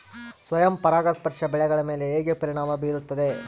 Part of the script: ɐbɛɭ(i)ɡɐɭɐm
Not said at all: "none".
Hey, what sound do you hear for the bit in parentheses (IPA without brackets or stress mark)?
ɛ